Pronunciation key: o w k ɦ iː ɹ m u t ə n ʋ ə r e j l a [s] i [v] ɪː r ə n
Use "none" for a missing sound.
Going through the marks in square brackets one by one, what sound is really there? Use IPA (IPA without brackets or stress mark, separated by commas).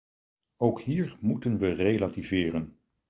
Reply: t, v